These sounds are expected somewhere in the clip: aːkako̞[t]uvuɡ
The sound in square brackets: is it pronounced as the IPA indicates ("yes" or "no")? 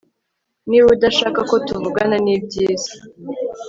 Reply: yes